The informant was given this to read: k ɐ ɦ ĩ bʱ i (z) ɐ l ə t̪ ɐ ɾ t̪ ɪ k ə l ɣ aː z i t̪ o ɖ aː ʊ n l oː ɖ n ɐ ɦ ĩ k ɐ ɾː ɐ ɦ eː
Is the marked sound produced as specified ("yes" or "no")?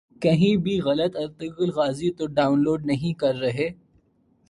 no